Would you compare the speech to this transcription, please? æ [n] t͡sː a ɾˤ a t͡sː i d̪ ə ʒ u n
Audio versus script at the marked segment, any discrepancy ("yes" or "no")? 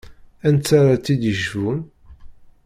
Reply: no